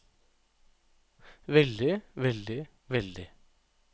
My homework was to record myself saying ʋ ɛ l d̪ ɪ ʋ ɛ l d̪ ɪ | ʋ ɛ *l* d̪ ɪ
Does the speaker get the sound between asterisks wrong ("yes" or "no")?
no